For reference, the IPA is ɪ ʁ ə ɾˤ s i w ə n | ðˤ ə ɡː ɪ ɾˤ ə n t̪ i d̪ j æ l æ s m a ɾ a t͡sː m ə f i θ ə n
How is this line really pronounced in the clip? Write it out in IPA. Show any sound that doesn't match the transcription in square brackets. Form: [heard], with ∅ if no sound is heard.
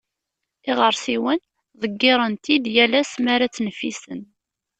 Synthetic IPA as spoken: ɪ ʁ ə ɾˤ s i w ə n | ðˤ ə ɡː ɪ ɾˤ ə n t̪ i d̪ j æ l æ s m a ɾ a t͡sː [n] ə f i [s] ə n